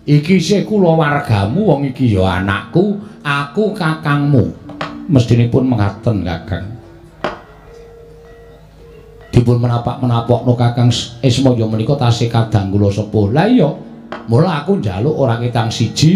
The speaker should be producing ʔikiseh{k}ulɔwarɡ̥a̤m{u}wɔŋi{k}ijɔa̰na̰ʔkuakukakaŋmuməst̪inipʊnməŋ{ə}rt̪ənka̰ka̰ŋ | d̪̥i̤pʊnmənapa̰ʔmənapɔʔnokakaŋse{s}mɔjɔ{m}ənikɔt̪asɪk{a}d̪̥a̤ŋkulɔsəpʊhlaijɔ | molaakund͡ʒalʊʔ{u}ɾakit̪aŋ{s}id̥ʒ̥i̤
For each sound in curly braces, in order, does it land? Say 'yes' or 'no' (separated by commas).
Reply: yes, yes, yes, no, yes, yes, yes, no, yes